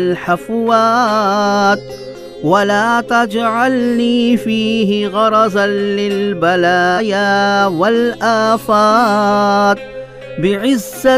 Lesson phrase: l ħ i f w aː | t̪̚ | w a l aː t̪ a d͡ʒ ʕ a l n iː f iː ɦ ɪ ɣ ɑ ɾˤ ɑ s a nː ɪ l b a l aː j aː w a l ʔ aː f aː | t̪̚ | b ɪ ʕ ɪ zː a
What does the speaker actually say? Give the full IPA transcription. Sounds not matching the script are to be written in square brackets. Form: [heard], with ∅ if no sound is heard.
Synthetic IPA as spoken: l ħ [a] f w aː | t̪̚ | w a l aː t̪ a d͡ʒ ʕ a l n iː f iː ɦ ɪ ɣ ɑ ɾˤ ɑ [z] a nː ɪ l b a l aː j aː w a l ʔ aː f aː | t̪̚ | b ɪ ʕ ɪ zː a